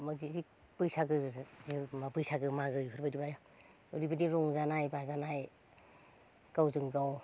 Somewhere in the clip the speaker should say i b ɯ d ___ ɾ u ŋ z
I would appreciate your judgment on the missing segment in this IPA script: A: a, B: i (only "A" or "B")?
B